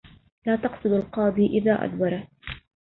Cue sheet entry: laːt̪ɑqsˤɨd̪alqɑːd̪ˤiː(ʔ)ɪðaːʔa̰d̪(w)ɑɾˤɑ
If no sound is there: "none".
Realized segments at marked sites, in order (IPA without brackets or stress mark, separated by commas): ʔ, w